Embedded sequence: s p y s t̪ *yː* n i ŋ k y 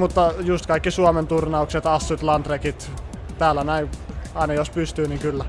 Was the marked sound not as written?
no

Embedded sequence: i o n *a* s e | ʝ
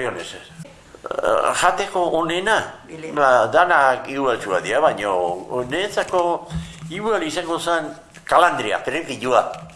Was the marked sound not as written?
yes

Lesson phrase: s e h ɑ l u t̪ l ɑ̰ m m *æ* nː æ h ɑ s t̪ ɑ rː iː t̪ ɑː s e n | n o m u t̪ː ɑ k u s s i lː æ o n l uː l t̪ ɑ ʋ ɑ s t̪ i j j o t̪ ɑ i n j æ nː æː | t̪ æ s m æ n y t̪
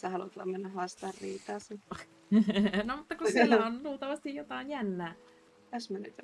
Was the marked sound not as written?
yes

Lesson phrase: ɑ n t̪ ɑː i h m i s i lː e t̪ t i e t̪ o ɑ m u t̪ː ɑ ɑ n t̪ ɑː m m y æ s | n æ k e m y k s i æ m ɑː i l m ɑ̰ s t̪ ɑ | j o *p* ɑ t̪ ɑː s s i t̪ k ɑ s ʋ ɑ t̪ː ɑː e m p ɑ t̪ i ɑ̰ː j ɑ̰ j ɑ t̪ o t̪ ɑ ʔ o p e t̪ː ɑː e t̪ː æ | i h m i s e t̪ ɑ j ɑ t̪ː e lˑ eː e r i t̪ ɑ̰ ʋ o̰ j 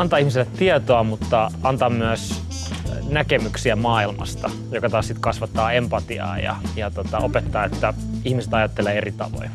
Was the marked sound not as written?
yes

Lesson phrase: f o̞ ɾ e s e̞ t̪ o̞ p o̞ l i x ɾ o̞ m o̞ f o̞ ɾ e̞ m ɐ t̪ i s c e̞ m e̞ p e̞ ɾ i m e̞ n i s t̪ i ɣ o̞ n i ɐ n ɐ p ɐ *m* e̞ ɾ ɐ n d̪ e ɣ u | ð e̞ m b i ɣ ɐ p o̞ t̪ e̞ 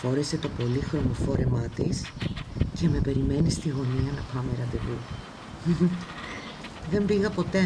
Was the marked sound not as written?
no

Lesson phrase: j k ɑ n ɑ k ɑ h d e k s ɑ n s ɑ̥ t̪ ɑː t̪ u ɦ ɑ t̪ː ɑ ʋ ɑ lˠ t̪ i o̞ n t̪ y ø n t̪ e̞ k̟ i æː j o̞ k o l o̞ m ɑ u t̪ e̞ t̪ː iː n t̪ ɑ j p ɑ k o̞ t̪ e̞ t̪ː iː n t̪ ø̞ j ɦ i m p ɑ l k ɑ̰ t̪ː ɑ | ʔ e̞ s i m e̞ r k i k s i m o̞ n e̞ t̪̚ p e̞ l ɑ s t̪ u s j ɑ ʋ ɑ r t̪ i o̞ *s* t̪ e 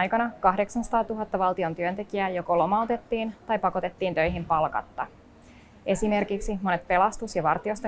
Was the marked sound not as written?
no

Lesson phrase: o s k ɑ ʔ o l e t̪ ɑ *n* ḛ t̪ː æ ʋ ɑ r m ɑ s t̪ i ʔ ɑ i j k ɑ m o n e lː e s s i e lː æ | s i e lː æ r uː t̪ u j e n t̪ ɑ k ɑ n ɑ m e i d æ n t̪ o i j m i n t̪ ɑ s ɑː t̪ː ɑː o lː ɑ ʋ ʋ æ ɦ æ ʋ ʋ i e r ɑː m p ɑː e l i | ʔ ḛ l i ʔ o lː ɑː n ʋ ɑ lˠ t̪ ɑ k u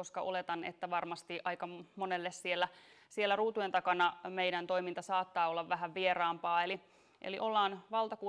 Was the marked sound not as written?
no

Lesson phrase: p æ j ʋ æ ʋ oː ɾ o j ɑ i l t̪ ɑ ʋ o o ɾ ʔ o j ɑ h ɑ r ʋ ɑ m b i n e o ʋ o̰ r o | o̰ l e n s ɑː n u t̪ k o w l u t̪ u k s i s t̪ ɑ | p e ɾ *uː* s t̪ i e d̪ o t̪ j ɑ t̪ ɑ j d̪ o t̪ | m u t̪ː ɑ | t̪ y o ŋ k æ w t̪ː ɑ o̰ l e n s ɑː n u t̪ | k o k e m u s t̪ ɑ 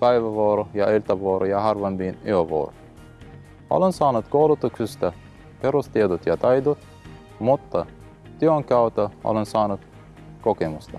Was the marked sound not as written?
yes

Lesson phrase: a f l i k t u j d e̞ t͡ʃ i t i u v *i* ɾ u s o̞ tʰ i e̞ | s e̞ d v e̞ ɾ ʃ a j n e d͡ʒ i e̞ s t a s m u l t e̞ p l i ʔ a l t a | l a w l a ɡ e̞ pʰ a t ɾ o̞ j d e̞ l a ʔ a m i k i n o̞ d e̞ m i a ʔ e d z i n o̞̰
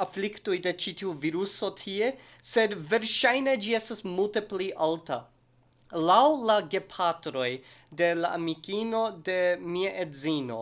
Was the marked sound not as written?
no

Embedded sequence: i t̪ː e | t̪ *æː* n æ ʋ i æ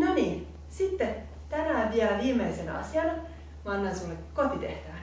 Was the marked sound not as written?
yes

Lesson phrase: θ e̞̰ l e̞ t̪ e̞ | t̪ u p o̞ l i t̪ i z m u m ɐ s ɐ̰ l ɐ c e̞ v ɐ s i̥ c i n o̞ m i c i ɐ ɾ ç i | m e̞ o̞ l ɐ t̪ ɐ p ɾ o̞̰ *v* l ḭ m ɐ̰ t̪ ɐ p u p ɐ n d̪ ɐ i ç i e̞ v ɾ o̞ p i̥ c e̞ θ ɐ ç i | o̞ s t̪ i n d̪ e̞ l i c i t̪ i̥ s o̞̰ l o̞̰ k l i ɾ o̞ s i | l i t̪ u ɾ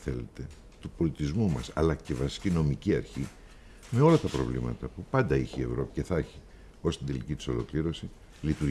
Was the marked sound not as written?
no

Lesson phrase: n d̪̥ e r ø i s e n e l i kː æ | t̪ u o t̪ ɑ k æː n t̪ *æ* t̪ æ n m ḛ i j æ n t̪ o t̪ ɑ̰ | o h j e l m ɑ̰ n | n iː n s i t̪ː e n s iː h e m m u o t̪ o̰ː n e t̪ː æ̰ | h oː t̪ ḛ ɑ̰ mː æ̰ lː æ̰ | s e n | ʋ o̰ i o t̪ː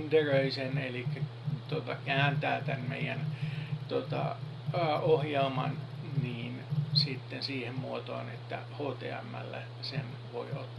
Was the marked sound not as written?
yes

